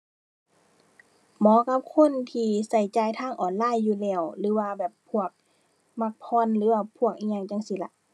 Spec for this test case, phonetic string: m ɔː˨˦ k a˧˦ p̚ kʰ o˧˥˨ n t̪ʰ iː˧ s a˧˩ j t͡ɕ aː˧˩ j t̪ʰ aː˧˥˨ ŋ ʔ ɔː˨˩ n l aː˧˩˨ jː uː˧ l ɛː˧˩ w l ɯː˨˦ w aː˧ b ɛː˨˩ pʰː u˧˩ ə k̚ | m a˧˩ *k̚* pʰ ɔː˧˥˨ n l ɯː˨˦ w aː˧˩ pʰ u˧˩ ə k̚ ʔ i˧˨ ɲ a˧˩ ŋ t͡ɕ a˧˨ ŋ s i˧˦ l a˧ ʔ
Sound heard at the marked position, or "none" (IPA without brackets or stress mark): k̚